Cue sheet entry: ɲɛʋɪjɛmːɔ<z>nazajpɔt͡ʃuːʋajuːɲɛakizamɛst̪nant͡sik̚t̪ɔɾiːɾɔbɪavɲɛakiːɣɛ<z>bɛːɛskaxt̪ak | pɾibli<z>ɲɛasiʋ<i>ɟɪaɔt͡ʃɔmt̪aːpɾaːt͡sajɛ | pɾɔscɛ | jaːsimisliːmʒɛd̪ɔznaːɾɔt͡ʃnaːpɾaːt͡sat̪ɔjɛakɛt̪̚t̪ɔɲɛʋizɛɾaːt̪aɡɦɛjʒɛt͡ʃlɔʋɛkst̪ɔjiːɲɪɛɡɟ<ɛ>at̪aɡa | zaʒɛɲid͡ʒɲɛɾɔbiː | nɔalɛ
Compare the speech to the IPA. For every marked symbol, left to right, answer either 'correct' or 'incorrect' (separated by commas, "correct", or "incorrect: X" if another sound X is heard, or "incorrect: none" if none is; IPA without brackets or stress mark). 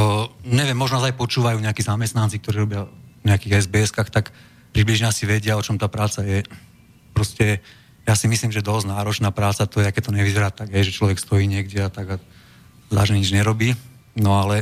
incorrect: ʒ, correct, incorrect: ʒ, incorrect: ɛ, correct